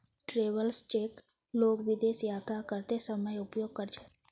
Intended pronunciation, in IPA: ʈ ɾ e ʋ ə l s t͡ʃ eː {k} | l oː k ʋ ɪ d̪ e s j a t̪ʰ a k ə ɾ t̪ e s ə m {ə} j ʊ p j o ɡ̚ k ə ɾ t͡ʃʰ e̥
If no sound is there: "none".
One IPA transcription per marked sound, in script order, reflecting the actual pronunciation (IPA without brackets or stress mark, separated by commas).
k, ə